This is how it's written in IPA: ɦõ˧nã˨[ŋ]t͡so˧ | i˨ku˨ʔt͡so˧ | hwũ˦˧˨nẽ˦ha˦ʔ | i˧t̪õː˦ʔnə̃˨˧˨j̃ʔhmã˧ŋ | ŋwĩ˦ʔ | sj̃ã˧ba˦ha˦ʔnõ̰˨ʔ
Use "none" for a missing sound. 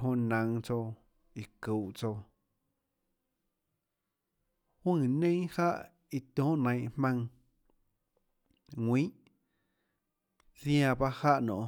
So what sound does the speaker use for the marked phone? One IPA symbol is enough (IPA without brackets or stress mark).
ŋ